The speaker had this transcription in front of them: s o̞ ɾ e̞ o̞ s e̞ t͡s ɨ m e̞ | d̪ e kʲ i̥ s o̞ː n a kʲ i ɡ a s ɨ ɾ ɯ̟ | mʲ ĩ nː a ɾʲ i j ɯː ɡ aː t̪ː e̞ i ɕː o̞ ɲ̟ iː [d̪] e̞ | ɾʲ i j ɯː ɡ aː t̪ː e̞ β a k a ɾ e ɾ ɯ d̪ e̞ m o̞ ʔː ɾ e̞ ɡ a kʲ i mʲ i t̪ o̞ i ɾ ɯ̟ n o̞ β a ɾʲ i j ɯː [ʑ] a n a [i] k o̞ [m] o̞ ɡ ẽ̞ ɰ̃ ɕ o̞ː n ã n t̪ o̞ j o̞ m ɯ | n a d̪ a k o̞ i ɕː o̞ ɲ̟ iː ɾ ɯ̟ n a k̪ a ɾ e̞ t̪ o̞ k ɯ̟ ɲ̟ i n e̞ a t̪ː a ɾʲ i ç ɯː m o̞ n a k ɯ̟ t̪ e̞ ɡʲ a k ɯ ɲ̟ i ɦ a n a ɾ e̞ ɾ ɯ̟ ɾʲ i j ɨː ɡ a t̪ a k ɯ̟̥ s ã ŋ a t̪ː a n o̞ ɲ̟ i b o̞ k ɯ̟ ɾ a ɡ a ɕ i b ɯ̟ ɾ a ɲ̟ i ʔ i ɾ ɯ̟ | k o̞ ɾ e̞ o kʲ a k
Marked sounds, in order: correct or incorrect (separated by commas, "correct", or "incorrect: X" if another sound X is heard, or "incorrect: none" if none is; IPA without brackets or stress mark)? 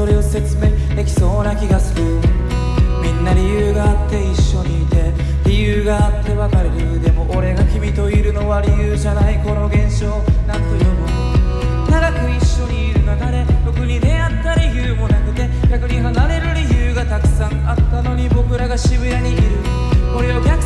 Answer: incorrect: t̪, correct, correct, incorrect: n